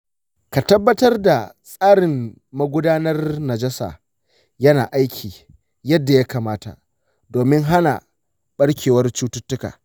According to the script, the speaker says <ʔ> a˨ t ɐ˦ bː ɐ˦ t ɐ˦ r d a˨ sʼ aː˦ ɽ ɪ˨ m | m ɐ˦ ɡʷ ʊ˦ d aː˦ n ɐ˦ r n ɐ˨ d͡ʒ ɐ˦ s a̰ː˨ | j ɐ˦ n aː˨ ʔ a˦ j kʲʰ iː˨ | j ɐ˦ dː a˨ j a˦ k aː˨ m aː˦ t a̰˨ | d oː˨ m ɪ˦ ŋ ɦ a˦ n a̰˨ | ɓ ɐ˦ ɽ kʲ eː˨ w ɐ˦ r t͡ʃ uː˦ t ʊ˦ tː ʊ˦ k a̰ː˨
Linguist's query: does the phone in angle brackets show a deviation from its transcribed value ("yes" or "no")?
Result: yes